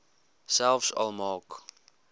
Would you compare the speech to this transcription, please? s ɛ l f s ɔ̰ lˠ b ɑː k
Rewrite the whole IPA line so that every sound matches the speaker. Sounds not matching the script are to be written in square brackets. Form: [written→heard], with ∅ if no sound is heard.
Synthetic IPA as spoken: s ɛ l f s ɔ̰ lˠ [b→m] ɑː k